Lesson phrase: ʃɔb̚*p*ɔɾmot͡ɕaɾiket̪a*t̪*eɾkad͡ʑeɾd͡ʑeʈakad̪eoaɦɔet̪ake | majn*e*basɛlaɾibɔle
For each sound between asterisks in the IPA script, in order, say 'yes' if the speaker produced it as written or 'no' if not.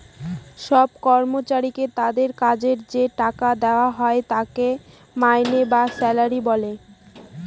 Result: no, no, yes

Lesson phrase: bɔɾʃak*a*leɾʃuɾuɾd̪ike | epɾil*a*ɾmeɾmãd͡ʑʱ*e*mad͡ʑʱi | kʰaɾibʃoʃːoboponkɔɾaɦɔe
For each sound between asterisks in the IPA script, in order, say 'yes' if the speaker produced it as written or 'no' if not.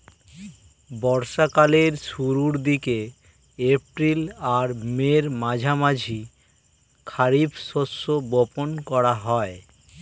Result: yes, yes, no

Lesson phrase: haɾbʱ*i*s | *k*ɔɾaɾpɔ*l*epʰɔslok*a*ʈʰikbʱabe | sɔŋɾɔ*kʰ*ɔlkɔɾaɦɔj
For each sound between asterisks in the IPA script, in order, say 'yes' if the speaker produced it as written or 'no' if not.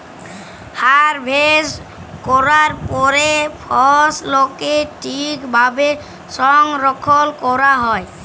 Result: no, yes, no, no, yes

